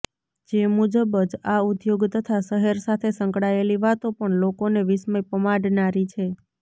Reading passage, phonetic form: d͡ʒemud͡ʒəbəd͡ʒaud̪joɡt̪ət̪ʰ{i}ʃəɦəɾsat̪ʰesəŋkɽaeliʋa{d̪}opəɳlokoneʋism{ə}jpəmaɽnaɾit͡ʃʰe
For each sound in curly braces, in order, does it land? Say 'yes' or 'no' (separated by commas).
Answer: no, no, yes